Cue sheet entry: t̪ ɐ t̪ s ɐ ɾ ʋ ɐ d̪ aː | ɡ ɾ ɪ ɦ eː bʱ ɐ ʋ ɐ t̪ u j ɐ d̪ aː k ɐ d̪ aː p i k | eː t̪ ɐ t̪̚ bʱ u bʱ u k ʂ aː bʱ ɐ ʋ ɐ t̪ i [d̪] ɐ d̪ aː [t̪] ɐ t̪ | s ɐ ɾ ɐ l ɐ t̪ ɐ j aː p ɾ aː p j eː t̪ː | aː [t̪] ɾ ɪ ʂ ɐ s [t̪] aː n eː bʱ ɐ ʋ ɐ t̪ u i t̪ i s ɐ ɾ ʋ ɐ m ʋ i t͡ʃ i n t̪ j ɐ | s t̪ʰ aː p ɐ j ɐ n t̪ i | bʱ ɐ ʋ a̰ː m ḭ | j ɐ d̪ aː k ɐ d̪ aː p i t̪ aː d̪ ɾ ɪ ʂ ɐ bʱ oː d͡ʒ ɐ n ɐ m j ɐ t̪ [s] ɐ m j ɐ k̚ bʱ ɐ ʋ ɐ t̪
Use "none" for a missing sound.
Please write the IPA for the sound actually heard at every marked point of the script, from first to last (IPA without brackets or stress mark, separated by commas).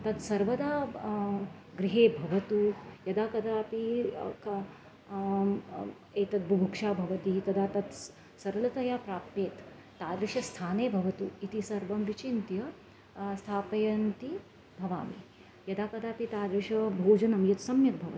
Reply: t̪, t̪, d̪, t̪ʰ, s